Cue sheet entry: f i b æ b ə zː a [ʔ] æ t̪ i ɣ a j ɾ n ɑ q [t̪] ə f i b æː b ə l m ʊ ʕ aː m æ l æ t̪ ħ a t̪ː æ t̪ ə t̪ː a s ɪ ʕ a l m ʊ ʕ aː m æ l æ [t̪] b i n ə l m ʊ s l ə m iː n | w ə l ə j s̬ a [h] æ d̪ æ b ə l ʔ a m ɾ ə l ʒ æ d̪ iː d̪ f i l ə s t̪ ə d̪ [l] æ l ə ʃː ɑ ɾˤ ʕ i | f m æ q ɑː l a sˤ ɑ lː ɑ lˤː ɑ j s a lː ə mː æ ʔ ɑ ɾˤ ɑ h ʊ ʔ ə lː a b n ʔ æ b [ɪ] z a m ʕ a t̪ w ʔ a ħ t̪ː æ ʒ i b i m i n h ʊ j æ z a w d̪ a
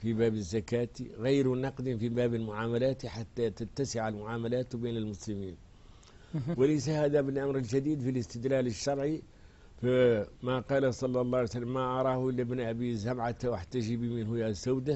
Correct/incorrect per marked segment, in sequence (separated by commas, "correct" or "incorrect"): incorrect, incorrect, correct, correct, correct, incorrect